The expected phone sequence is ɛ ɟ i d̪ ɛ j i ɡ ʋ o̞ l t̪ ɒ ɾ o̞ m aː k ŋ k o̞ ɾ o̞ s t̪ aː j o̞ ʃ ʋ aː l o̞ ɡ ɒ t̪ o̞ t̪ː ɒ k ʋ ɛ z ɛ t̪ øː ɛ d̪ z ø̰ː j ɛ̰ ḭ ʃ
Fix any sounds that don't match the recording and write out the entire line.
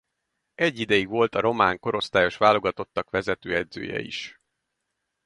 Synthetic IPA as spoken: ɛ ɟː i d̪ ɛ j i ɡ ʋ o̞ l t̪ ɒ ɾ o̞ m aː ŋ k o̞ ɾ o̞ s t̪ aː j o̞ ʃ ʋ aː l o̞ ɡ ɒ t̪ o̞ t̪ː ɒ k ʋ ɛ z ɛ t̪ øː ɛ d̪ z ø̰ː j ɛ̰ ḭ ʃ